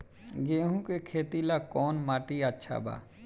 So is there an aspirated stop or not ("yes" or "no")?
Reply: yes